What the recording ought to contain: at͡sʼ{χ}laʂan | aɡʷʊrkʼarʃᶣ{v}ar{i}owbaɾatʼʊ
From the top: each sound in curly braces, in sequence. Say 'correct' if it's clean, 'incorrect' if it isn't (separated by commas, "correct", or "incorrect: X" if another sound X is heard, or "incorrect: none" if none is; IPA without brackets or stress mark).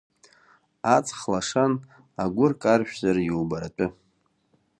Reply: correct, incorrect: z, incorrect: j